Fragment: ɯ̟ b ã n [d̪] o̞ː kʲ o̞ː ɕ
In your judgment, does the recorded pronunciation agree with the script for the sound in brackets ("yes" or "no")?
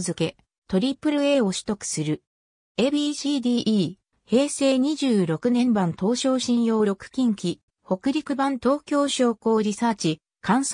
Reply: no